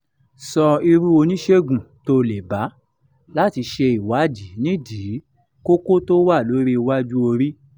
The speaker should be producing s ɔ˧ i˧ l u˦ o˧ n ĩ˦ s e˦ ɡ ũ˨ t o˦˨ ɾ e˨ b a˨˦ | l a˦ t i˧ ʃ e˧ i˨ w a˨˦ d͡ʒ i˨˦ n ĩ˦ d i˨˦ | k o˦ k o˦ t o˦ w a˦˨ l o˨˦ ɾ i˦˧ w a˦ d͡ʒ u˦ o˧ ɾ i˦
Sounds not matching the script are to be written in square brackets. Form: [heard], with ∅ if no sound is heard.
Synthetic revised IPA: s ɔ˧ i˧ [ɾ] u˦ o˧ n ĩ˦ [ʃ] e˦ ɡ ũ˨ t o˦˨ [l] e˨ b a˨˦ | l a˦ t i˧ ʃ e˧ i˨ w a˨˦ d͡ʒ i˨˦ n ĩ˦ d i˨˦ | k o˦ k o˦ t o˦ w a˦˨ l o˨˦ ɾ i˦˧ w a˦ d͡ʒ u˦ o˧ ɾ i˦

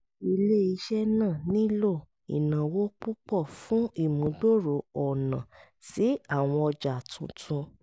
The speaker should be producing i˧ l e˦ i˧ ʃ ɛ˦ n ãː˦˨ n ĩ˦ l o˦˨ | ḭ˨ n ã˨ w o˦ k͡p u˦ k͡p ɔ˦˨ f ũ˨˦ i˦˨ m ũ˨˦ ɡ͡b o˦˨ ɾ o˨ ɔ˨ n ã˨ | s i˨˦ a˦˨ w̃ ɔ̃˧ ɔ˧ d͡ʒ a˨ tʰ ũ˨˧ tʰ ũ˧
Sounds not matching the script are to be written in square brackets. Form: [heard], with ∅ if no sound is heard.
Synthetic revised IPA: i˧ l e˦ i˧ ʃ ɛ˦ n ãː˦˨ n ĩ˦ l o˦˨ | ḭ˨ n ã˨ w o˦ k͡p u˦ k͡p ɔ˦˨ f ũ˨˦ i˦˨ m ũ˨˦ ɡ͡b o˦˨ ɾ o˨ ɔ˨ n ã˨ | s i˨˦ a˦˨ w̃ ɔ̃˧ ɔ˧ d͡ʒ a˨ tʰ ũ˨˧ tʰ ũ˧

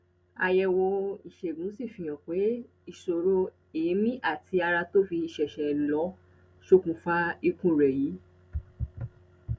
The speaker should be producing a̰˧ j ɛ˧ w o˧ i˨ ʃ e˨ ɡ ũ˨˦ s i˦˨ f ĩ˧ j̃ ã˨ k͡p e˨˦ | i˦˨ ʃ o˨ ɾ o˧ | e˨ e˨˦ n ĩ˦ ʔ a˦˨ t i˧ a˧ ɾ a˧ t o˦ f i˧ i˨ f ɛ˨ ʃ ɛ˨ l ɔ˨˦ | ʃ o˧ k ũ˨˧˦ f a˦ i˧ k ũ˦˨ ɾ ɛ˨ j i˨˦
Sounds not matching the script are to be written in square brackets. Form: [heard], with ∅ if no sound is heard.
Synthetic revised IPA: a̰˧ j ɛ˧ w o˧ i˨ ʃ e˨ ɡ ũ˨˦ s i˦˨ f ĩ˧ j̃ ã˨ k͡p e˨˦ | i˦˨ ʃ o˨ ɾ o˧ | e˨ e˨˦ [m] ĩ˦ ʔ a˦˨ t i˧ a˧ ɾ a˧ t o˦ f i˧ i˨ [ʃ] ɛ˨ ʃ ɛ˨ l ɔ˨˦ | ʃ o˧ k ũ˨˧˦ f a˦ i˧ k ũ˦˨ ɾ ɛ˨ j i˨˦

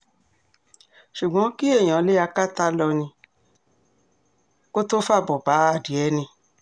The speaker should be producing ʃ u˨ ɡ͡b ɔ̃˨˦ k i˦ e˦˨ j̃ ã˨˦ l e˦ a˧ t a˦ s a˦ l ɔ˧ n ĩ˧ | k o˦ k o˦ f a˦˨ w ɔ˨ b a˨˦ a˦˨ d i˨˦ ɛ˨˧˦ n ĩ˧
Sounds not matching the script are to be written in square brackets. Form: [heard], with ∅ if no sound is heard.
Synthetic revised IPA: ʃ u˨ ɡ͡b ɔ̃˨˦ k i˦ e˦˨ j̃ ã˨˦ l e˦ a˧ [k] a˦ [t] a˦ l ɔ˧ n ĩ˧ | k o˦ [t] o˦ f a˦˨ [b] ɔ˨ b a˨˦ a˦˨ d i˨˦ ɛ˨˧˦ n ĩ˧

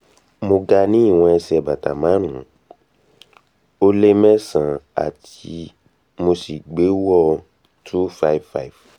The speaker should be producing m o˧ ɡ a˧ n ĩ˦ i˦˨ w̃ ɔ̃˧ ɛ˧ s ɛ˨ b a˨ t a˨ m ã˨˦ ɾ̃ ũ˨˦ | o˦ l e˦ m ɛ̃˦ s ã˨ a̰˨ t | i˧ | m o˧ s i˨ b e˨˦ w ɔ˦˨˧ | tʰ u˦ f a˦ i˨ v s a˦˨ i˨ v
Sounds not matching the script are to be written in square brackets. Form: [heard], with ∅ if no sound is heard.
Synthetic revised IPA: m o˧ ɡ a˧ n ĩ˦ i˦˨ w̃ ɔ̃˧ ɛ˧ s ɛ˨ b a˨ t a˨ m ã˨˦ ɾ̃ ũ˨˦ | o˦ l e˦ m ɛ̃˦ s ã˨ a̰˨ t | i˧ | m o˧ s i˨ [ɡ͡b] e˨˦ w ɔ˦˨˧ | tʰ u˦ f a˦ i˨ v [f] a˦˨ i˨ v

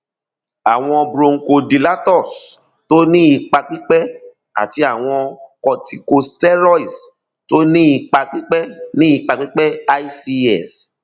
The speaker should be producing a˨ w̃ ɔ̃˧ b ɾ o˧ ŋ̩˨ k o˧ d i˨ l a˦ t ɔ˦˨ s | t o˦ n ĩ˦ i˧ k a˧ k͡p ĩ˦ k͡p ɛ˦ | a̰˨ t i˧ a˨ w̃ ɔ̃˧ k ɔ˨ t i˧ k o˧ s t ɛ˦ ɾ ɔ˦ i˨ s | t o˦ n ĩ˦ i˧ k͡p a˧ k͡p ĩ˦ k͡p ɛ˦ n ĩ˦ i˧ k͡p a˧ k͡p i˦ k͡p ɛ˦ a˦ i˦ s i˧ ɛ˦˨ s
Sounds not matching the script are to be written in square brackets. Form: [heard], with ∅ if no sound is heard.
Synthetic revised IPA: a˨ w̃ ɔ̃˧ b ɾ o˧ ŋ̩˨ k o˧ d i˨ l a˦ t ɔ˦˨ s | t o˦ n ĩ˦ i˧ [k͡p] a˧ k͡p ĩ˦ k͡p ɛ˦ | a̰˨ t i˧ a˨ w̃ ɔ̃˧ k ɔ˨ t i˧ k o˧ s t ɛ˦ ɾ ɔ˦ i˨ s | t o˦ n ĩ˦ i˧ k͡p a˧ k͡p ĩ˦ k͡p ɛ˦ n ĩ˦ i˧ k͡p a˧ k͡p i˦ k͡p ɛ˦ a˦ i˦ s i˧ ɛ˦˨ s

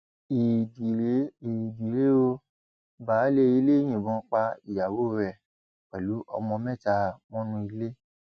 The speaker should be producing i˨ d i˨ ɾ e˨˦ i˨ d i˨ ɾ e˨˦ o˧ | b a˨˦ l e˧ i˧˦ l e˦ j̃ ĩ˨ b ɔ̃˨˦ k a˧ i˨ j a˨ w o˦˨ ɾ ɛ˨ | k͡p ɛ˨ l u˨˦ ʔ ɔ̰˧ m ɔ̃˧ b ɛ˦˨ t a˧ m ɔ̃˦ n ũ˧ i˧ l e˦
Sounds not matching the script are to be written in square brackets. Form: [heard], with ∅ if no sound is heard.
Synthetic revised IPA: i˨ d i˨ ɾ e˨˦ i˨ d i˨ ɾ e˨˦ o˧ | b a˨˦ l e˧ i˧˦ l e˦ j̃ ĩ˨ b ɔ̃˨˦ [k͡p] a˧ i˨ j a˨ w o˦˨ ɾ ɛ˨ | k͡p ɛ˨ l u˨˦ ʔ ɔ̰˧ m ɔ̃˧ [m] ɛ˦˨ t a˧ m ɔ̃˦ n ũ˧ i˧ l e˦

